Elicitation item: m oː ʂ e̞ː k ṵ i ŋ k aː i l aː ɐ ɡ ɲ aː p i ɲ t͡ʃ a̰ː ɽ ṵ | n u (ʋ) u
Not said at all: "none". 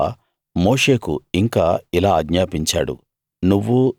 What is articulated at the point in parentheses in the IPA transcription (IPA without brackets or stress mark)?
ʋː